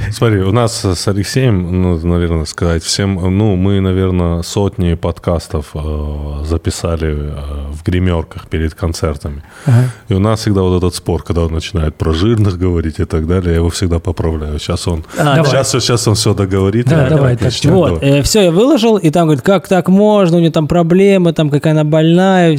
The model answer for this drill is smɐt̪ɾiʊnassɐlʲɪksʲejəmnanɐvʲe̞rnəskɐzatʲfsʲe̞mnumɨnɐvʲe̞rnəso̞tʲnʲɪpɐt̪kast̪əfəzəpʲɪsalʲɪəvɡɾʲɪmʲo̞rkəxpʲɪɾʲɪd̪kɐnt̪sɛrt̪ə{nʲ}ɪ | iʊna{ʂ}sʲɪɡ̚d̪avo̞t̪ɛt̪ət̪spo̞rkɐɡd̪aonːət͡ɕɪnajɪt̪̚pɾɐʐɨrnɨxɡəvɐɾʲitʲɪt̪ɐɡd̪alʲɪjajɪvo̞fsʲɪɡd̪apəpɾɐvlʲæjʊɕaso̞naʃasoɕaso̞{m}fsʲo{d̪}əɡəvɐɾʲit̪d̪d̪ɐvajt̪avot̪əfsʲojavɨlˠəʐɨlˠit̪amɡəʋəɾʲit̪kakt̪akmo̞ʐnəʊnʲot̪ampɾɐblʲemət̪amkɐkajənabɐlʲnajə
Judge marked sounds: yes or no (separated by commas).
no, no, no, yes